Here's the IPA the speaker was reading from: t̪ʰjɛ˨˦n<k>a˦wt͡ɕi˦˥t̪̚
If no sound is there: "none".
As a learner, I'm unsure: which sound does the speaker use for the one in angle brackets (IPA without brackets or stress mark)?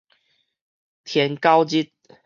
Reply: k